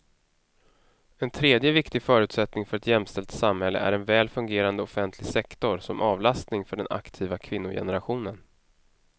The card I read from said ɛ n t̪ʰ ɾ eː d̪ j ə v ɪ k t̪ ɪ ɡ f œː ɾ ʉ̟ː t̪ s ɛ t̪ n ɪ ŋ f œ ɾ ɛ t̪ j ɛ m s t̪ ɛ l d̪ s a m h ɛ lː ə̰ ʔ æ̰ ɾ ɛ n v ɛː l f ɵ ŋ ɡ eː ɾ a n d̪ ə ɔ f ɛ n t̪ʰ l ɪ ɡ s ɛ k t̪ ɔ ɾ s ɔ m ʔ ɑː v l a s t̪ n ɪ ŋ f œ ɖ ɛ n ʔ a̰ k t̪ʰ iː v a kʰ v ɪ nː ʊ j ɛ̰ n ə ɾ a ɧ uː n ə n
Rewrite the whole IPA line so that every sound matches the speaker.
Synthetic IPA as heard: ɛ n t̪ʰ ɾ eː d̪ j ə v ɪ k t̪ ɪ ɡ f œː ɾ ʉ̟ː t̪ s ɛ t̪ n ɪ ŋ f œ ɾ ɛ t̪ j ɛ m s t̪ ɛ l t̪ s a m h ɛ lː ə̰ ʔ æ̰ ɾ ɛ n v ɛː l f ɵ ŋ ɡ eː ɾ a n d̪ ə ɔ f ɛ n t̪ʰ l ɪ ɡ s ɛ k t̪ ɔ ɾ s ɔ m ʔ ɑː v l a s t̪ n ɪ ŋ f œ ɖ ɛ n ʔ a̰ k t̪ʰ iː v a kʰ v ɪ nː ʊ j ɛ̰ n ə ɾ a ɧ uː n ə n